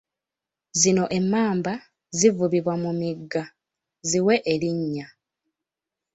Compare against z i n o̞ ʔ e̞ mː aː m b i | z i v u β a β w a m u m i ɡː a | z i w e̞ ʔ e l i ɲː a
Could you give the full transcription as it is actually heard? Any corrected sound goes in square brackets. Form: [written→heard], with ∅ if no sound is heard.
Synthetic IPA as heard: z i n o̞ ʔ e̞ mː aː m b [i→a] | z i v u β [a→i] β w a m u m i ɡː a | z i w e̞ ʔ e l i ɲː a